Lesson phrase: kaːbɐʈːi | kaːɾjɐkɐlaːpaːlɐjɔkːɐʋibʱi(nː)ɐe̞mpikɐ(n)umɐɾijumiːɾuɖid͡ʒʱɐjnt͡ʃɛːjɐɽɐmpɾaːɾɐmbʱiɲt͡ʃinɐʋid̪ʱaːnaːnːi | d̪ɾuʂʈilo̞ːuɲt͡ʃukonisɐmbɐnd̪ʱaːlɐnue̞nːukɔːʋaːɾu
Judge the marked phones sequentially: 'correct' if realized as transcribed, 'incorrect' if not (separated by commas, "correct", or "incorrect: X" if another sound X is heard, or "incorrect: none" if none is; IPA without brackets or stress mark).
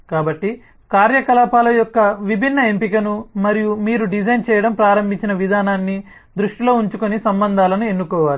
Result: correct, correct